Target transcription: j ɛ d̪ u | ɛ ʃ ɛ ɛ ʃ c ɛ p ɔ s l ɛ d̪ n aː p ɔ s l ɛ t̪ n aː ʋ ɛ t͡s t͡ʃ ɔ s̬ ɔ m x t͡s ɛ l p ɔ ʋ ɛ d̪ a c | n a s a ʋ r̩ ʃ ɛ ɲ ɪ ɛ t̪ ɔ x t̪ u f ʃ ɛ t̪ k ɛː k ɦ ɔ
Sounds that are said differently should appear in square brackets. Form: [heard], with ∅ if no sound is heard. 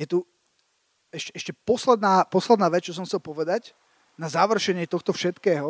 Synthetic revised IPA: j ɛ [t̪] u | ɛ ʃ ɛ ɛ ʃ c ɛ p ɔ s l ɛ d̪ n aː p ɔ s l ɛ [d̪] n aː ʋ ɛ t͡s t͡ʃ ɔ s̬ ɔ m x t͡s ɛ l p ɔ ʋ ɛ d̪ a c | n a [z] a ʋ r̩ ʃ ɛ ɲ ɪ ɛ t̪ ɔ x t̪ [ɔ] f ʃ ɛ t̪ k ɛː [∅] ɦ ɔ